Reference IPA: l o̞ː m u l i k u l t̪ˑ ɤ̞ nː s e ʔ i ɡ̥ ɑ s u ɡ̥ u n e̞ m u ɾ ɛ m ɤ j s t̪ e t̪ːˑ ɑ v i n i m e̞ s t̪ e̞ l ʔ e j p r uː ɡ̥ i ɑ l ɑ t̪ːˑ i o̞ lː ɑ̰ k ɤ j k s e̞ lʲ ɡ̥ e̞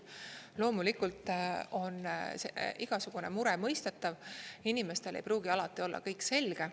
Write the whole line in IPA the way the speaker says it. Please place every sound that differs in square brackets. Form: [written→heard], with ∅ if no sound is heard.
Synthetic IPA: l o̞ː m u l i k u l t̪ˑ [ɤ̞→o̞] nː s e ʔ i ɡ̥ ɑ s u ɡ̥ u n e̞ m u ɾ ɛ m ɤ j s t̪ e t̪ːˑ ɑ v i n i m e̞ s t̪ e̞ l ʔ e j p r uː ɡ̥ i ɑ l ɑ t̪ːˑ i o̞ lː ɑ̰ k ɤ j k s e̞ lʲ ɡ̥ e̞

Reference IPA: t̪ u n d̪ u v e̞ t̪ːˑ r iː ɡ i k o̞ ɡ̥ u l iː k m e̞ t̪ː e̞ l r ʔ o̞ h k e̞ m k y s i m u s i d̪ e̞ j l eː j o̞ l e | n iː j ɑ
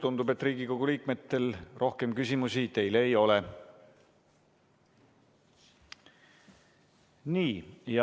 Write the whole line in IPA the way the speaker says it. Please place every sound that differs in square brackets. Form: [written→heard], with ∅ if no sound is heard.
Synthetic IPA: t̪ u n d̪ u [v→b] e̞ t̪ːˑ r iː ɡ i k o̞ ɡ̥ u l iː k m e̞ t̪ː e̞ l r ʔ o̞ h k e̞ m k y s i m u s i [d̪→t̪] e̞ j l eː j o̞ l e | n iː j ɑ

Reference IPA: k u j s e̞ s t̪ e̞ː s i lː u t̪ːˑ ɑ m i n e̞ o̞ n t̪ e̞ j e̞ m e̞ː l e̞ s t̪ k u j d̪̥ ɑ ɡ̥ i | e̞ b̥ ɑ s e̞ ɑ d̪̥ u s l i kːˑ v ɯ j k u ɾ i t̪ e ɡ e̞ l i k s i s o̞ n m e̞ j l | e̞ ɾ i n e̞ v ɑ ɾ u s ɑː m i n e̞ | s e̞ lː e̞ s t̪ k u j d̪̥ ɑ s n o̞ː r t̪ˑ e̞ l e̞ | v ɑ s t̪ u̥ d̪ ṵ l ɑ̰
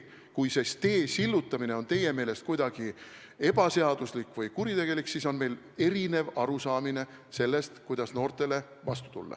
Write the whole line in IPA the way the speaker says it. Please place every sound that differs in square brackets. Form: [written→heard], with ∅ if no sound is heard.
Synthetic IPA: k u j s e̞ s t̪ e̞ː s i lː u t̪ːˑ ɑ m i n e̞ o̞ n t̪ e̞ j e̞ m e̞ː l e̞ s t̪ k u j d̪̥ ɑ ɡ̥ i | e̞ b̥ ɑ s e̞ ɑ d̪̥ u s l i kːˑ v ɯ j k u ɾ i t̪ e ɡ e̞ l i k s i s o̞ n m e̞ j l | e̞ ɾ i n e̞ v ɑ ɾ u s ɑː m i n e̞ | s e̞ lː e̞ s t̪ k u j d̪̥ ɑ s n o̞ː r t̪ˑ e̞ l e̞ | v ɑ s t̪ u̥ [d̪→t̪] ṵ [l→lː] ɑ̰

